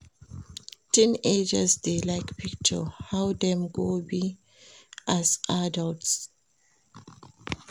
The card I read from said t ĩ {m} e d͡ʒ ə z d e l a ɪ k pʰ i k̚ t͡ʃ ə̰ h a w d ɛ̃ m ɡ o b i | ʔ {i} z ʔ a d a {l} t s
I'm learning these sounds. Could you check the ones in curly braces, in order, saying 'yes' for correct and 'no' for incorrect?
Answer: no, no, yes

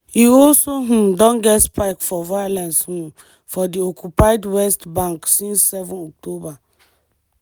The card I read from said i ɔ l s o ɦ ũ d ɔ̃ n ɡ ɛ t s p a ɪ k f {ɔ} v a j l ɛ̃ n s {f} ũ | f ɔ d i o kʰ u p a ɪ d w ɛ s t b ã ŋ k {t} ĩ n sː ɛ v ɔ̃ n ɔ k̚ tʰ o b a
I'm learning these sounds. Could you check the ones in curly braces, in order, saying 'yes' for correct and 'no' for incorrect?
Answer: yes, no, no

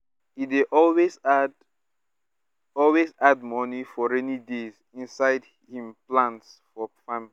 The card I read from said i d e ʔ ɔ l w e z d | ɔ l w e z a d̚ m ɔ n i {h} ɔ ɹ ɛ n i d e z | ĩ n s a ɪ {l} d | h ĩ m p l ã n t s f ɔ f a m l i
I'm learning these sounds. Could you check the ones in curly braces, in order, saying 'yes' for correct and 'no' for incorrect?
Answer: no, no

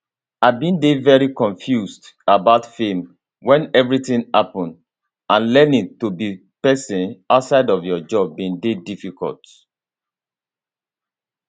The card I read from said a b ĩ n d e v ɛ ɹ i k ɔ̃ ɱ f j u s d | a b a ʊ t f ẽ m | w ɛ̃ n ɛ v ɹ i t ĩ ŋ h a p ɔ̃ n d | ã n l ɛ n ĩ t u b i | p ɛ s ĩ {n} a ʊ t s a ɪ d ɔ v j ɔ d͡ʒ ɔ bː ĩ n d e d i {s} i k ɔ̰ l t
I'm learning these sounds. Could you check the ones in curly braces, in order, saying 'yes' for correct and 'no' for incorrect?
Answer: yes, no

